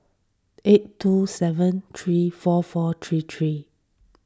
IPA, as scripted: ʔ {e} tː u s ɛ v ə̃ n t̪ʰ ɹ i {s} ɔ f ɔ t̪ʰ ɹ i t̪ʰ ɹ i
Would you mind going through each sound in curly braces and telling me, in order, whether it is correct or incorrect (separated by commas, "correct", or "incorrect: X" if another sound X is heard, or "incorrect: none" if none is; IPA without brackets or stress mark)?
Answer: correct, incorrect: f